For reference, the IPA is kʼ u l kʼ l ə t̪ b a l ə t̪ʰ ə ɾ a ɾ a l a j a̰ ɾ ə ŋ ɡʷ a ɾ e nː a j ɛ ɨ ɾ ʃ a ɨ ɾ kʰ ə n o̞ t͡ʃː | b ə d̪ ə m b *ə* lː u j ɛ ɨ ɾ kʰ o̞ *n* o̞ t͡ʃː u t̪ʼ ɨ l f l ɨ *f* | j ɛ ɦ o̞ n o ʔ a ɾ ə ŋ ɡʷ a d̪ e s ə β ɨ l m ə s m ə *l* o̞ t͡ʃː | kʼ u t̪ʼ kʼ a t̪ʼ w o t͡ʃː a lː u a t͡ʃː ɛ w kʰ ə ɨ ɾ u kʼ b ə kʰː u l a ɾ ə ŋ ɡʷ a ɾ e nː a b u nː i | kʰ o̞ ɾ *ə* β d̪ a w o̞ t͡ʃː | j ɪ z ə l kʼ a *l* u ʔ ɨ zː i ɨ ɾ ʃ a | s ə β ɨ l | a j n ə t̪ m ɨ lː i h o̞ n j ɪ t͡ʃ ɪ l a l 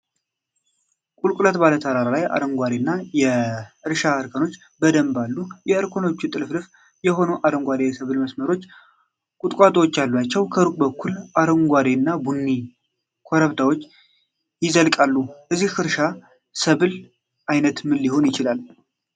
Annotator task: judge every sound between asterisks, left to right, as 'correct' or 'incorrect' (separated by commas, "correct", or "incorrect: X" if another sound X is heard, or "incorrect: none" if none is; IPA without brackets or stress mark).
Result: incorrect: a, correct, correct, incorrect: ɾ, correct, incorrect: lː